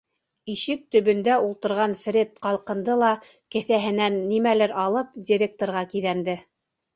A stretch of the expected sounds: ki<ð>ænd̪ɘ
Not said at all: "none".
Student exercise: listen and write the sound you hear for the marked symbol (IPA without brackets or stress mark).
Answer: ð